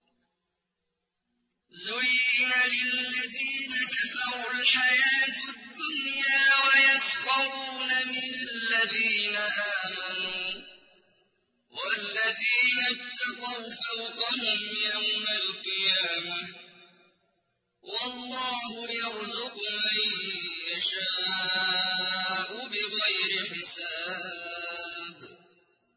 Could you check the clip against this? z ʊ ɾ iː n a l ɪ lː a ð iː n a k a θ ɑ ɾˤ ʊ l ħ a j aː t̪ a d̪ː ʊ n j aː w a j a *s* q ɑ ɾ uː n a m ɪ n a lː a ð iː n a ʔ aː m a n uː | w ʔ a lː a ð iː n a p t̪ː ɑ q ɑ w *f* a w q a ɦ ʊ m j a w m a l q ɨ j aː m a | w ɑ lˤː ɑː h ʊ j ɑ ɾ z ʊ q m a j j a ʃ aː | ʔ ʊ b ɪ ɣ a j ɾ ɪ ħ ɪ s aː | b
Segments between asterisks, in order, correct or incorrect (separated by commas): correct, correct